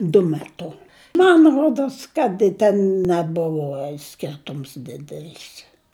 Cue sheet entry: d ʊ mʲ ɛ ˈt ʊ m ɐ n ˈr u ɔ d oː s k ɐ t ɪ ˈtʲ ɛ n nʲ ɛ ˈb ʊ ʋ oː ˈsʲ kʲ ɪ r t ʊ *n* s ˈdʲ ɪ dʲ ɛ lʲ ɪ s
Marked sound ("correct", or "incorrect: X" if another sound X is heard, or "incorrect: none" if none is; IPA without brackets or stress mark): incorrect: m